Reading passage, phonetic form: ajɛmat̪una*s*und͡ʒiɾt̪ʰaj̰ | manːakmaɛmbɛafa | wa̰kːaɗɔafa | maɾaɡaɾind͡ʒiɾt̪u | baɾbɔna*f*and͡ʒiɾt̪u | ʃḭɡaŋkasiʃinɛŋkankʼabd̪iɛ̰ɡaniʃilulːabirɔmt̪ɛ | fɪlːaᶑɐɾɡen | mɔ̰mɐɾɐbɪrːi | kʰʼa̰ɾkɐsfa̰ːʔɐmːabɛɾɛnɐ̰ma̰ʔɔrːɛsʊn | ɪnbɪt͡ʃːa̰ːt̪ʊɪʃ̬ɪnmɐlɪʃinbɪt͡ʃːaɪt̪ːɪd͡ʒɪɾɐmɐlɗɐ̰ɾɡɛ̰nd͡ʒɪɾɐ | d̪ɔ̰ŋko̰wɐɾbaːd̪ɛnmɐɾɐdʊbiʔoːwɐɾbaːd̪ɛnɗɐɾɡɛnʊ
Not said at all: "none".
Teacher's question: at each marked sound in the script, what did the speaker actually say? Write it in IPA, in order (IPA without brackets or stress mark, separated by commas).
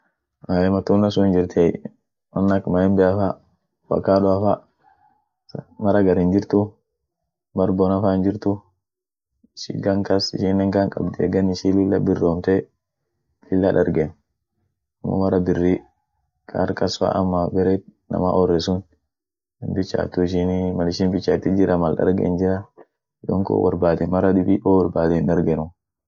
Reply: s, f